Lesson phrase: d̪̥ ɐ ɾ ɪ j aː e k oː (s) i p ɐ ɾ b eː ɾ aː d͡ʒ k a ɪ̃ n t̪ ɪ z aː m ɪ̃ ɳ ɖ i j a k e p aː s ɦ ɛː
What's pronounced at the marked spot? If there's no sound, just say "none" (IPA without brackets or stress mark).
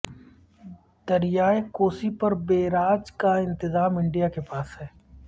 s